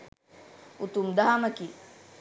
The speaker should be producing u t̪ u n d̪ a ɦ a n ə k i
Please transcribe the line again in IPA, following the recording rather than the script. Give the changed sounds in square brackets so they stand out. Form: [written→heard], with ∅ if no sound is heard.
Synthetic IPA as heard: u t̪ u [n→m] d̪ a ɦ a [n→m] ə k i